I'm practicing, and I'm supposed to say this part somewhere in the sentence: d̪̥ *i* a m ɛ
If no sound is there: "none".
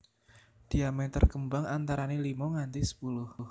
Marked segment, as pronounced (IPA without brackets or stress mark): i